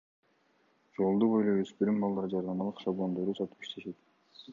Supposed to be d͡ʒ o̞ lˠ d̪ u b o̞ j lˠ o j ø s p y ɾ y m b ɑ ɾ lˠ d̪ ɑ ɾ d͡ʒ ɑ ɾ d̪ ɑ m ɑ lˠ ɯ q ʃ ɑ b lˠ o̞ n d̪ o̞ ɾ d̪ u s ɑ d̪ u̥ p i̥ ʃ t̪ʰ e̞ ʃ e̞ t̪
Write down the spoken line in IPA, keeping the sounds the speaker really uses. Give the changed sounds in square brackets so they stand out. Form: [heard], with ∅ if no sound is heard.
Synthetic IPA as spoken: d͡ʒ o̞ lˠ d̪ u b o̞ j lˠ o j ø s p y ɾ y m b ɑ [∅] lˠ d̪ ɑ ɾ d͡ʒ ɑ ɾ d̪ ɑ m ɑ lˠ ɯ q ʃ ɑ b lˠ o̞ n d̪ o̞ ɾ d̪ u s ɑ [t̪] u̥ p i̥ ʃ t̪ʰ e̞ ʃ e̞ t̪